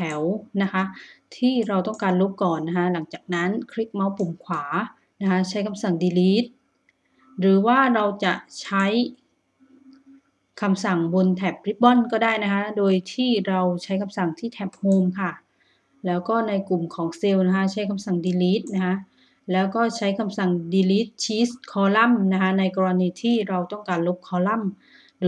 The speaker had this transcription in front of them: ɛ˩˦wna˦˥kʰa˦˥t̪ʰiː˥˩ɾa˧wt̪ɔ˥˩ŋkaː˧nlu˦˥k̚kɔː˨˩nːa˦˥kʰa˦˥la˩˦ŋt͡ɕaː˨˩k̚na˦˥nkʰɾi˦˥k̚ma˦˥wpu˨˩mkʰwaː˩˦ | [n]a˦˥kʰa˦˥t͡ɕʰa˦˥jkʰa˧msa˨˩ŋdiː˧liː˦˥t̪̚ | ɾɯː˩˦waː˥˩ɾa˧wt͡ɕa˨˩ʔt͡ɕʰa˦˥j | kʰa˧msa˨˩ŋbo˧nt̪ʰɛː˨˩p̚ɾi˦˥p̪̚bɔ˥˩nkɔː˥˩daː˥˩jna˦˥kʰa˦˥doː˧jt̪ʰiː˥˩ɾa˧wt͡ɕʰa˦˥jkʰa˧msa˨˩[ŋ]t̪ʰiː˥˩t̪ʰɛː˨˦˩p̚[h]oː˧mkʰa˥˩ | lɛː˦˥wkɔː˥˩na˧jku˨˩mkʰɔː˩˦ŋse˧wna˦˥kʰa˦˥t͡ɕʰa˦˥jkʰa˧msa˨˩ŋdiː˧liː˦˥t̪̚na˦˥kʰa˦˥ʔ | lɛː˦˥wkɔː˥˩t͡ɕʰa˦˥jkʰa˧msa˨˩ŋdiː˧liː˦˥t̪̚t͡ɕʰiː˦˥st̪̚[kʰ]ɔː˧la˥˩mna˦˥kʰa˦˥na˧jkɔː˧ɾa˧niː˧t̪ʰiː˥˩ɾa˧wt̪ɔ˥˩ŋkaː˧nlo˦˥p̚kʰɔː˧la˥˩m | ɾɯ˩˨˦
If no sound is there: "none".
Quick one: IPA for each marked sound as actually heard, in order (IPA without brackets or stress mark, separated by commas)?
n, ŋ, h, kʰ